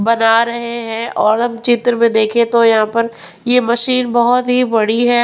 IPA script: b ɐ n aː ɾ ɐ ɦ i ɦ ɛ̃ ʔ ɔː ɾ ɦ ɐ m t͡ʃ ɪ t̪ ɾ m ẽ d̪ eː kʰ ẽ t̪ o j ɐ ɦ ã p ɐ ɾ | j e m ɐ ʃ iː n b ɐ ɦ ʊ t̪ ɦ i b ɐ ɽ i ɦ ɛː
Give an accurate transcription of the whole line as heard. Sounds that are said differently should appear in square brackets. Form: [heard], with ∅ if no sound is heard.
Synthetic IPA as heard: b ɐ n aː ɾ ɐ ɦ [e] ɦ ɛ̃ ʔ ɔː ɾ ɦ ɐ m t͡ʃ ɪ t̪ ɾ m ẽ d̪ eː kʰ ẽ t̪ o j ɐ ɦ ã p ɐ ɾ | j e m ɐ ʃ iː n b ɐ ɦ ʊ t̪ ɦ i b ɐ ɽ i ɦ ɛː